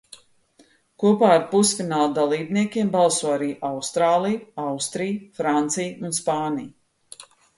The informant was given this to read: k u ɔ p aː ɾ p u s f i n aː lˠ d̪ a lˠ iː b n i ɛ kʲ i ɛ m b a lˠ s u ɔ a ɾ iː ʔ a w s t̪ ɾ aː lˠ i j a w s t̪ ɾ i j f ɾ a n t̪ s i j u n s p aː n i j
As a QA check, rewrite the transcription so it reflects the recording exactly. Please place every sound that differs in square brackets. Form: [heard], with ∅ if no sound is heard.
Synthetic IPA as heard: k u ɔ p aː ɾ p u s f i n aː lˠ d̪ a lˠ iː b n i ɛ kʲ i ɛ m b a lˠ s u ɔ a ɾ iː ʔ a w s t̪ ɾ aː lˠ i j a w s t̪ ɾ i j f ɾ a n t̪ s i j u n s p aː n i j